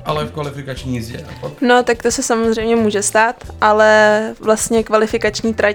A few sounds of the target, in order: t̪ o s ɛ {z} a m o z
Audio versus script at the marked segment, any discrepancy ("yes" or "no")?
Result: yes